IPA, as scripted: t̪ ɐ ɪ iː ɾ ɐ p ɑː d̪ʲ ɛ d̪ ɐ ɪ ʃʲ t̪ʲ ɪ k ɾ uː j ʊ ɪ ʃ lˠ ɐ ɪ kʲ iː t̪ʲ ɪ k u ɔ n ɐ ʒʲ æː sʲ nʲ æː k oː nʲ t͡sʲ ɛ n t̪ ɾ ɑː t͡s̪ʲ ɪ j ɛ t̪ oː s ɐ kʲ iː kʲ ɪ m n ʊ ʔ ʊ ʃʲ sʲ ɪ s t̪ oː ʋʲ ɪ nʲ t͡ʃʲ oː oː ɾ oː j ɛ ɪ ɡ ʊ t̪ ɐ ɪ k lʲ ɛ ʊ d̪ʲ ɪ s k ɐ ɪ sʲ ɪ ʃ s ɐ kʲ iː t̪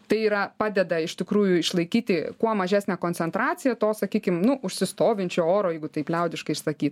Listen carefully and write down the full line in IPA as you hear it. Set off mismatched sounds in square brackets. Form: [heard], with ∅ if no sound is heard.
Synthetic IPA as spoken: t̪ ɐ ɪ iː ɾ ɐ p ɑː d̪ʲ ɛ d̪ ɐ ɪ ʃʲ t̪ʲ ɪ k ɾ uː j ʊ ɪ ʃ lˠ ɐ ɪ kʲ iː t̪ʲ ɪ k u ɔ [m] ɐ ʒʲ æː sʲ nʲ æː k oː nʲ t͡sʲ ɛ n t̪ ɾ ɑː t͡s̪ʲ ɪ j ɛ t̪ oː s ɐ kʲ iː kʲ ɪ m n ʊ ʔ ʊ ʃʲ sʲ ɪ s t̪ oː ʋʲ ɪ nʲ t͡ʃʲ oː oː ɾ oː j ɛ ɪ ɡ ʊ t̪ ɐ ɪ [p] lʲ ɛ ʊ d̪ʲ ɪ [ʃ] k ɐ ɪ [∅] ɪ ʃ s ɐ kʲ iː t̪